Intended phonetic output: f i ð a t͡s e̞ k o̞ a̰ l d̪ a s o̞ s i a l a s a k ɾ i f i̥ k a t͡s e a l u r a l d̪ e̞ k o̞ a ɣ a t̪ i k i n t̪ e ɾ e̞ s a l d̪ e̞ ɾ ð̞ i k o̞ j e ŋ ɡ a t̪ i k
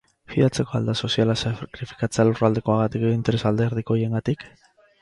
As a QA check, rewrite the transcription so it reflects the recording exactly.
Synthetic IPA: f i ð a t͡s e̞ k o̞ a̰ l d̪ a s o̞ s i a l a s a k ɾ i f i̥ k a t͡s e a l u r a l d̪ e̞ k o̞ a ɣ a t̪ i k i n t̪ e ɾ e̞ s a l d̪ e̞ ɾ ð̞ i k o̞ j e ŋ ɡ a t̪ i k